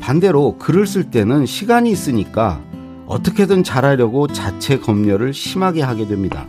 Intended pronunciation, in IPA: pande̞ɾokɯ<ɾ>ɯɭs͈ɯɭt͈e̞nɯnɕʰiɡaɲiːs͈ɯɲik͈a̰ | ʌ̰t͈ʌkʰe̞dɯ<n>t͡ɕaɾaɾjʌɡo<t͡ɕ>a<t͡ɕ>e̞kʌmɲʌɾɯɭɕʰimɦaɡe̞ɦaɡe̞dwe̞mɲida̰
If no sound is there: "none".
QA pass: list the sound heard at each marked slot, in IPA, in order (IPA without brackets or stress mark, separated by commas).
ɾ, n, t͡ɕ, t͡ɕʰ